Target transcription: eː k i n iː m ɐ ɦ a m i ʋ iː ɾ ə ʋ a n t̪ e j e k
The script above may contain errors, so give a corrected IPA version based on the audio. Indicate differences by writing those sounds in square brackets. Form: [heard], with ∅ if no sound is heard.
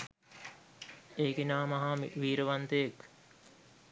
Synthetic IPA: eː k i n [aː] m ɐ ɦ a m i ʋ iː ɾ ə ʋ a n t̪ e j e k